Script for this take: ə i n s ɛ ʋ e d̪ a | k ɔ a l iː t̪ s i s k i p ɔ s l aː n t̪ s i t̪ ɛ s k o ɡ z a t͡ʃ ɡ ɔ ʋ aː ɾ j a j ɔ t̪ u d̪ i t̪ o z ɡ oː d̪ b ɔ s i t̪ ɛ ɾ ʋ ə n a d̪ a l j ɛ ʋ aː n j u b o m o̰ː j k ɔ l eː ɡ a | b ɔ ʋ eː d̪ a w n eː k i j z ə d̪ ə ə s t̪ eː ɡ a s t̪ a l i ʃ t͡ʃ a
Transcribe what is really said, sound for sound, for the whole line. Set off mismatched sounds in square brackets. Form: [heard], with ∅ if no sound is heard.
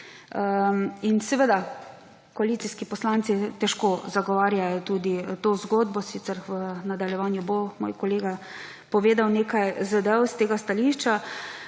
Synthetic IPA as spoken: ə i n s ɛ ʋ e d̪ a | k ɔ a l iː t̪ s i s k i p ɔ s l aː n t̪ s i t̪ ɛ [ʃ] k o [∅] z a [∅] ɡ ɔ ʋ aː ɾ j a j ɔ t̪ u d̪ i t̪ o z ɡ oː d̪ b ɔ s i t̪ ɛ ɾ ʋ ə n a d̪ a l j ɛ ʋ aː n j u b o m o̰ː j k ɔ l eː ɡ a | [p] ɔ ʋ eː d̪ a w n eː k [a] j z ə d̪ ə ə s t̪ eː ɡ a s t̪ a l i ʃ t͡ʃ a